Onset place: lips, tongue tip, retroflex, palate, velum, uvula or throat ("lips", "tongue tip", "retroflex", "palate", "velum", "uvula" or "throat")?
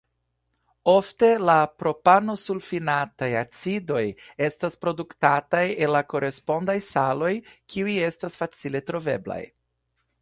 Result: lips